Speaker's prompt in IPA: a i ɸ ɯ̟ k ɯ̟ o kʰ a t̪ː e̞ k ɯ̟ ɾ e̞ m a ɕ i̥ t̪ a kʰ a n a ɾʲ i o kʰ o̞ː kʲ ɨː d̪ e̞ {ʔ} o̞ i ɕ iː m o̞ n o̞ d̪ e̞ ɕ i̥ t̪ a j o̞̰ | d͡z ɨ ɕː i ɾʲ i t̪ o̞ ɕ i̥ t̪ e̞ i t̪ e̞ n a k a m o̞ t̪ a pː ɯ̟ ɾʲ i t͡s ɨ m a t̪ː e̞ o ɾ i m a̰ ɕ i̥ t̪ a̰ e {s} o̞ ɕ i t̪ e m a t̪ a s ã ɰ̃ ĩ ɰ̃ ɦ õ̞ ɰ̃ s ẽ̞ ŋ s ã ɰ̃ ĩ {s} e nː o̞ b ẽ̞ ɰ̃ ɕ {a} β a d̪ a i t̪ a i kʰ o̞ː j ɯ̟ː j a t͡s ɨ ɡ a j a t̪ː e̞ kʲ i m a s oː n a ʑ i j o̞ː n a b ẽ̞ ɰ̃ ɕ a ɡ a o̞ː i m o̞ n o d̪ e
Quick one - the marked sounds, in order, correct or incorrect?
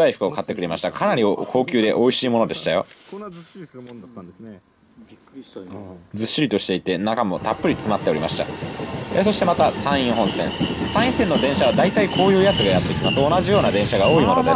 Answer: correct, correct, correct, correct

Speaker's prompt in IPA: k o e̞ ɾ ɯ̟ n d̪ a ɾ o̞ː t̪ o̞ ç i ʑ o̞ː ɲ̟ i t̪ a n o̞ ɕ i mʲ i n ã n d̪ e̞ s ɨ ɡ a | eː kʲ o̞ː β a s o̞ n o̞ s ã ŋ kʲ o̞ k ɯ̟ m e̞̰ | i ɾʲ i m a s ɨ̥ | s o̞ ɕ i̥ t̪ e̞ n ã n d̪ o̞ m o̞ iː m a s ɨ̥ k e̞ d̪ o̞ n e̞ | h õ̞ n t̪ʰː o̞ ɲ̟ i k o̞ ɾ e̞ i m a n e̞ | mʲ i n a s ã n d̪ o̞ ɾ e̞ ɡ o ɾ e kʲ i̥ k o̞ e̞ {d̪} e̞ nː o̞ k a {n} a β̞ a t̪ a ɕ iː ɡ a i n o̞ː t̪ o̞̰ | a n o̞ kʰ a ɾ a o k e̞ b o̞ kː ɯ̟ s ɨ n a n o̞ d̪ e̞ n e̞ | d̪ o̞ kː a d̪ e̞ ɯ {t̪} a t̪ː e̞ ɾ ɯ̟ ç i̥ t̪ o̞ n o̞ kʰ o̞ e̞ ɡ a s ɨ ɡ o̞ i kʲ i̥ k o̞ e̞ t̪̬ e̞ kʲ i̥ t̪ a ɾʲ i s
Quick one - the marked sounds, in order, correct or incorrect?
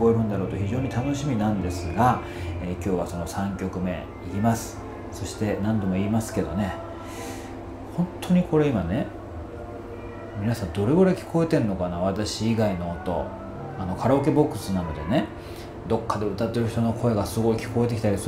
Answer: incorrect: t̪, correct, correct

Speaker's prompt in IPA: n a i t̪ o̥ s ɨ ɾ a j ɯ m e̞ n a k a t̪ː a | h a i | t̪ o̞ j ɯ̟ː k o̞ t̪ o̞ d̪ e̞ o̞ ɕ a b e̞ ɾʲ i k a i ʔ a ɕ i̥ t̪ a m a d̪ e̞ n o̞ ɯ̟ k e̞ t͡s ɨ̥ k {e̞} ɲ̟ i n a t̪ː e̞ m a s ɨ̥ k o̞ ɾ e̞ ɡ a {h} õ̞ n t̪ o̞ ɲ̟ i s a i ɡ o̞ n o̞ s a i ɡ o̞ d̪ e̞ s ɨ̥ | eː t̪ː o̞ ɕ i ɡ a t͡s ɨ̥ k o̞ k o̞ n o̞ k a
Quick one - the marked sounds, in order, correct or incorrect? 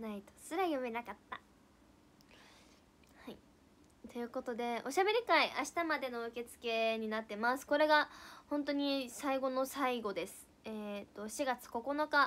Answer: correct, correct

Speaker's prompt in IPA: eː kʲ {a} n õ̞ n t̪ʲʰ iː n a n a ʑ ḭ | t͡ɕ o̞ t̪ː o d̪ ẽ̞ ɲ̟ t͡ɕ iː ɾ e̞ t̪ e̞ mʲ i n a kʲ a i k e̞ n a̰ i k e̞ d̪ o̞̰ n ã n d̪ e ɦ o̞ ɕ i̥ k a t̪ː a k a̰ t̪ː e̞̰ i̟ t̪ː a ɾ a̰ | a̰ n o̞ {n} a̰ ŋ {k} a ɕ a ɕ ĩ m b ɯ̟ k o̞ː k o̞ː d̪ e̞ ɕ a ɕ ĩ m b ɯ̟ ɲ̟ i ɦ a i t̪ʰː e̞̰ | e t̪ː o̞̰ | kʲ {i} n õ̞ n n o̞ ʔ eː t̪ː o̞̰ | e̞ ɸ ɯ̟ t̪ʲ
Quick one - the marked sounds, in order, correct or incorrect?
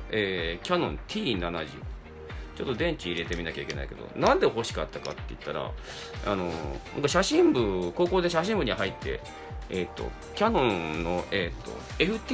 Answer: correct, correct, correct, incorrect: a

